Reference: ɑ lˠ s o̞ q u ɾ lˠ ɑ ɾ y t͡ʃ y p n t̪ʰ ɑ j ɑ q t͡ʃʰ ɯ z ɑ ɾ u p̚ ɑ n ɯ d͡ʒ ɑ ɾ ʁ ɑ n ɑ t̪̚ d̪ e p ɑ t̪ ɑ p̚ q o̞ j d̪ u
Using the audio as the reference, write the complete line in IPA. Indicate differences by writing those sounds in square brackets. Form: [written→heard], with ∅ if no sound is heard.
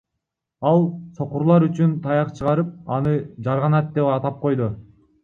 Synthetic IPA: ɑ lˠ s o̞ q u ɾ lˠ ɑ ɾ y t͡ʃ y [p→∅] n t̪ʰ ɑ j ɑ q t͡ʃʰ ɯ [z→ʁ] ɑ ɾ [u→ɯ] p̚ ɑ n ɯ d͡ʒ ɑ ɾ ʁ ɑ n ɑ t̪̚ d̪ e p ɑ t̪ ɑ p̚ q o̞ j d̪ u